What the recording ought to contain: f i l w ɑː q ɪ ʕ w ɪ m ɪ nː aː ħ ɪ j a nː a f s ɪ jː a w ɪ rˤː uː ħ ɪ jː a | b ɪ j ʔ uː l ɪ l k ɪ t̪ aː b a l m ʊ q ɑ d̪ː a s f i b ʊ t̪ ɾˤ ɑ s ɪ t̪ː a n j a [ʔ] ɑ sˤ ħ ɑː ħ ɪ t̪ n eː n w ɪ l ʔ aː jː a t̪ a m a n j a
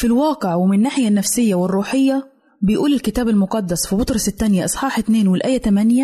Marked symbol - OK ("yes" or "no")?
yes